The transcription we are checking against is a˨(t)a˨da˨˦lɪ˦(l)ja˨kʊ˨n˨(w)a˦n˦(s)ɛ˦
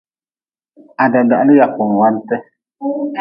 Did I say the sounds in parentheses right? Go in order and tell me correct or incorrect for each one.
incorrect, incorrect, correct, incorrect

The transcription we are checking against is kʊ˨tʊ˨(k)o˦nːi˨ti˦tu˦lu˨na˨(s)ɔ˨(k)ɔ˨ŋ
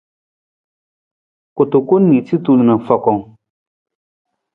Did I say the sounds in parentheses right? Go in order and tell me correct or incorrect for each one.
correct, incorrect, correct

